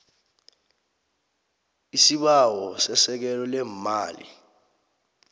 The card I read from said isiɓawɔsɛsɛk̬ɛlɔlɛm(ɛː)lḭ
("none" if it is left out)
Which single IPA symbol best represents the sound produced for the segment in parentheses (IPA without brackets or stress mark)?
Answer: aː